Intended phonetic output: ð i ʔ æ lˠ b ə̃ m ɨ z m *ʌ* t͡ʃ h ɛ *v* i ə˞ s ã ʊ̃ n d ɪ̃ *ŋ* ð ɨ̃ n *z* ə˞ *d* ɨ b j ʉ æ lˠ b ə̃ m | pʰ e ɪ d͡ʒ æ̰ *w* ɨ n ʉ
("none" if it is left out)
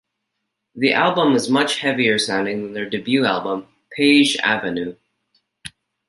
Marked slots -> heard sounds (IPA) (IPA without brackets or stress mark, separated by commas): ʌ, v, ŋ, ð, d, v